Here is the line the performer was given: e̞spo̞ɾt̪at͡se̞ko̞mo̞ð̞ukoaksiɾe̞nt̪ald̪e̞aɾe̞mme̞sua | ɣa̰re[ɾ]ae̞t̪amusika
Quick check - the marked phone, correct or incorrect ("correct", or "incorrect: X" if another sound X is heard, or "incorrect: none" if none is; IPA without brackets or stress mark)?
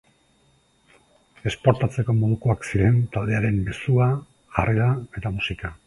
correct